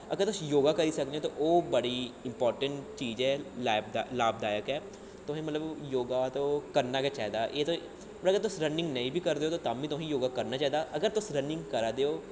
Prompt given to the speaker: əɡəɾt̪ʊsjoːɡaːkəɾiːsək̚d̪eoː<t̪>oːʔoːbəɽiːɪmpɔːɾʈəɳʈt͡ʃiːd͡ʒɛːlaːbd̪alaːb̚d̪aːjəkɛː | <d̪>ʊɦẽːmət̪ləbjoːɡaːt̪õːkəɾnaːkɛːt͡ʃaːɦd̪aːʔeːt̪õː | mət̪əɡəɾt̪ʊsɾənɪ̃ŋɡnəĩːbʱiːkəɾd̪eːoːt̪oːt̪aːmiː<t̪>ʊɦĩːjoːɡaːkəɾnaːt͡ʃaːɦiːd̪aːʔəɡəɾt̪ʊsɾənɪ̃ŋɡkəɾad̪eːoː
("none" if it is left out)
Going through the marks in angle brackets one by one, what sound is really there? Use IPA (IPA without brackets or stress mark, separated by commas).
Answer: t̪, t̪, t̪